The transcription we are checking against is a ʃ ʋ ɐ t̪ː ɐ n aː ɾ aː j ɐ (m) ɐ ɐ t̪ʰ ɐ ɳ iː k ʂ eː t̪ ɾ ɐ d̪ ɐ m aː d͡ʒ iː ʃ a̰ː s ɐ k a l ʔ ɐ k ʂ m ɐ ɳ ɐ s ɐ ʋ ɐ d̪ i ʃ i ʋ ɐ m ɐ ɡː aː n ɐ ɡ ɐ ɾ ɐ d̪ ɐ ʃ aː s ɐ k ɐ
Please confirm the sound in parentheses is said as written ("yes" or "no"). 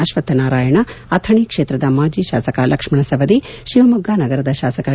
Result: no